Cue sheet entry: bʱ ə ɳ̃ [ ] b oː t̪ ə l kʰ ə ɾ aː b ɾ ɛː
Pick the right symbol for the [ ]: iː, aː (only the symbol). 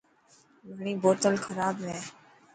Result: iː